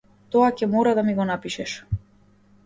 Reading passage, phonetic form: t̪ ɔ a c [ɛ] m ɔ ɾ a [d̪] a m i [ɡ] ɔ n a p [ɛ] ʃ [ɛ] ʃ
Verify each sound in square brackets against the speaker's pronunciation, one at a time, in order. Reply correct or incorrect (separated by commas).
correct, correct, correct, incorrect, correct